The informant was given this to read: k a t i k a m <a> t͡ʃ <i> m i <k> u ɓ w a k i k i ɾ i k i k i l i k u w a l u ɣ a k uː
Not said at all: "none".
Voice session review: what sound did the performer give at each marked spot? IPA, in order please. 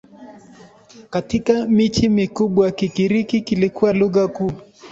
i, i, k

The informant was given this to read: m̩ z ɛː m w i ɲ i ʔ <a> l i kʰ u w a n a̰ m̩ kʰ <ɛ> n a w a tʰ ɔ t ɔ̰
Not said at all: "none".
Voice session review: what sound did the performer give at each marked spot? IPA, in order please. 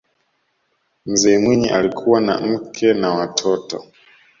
a, ɛ

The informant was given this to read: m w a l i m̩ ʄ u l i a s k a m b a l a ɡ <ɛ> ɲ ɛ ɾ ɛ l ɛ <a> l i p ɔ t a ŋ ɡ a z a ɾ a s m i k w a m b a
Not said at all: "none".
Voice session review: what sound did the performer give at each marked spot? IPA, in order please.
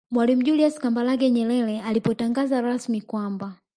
ɛ, a

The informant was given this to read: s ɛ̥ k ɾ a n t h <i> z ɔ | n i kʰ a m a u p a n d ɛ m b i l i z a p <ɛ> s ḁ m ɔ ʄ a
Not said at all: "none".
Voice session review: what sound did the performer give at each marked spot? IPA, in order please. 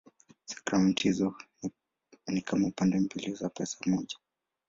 i, ɛ

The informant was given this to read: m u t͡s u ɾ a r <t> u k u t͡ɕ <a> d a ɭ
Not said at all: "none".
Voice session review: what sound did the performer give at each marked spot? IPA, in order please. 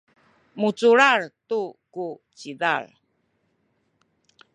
t, i

